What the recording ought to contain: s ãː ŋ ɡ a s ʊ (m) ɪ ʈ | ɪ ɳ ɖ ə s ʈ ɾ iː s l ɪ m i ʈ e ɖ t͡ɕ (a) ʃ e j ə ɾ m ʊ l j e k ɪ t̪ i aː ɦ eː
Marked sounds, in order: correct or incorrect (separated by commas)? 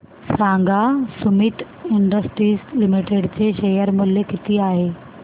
correct, incorrect